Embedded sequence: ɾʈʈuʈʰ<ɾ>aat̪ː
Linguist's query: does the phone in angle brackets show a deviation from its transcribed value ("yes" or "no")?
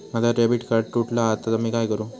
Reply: yes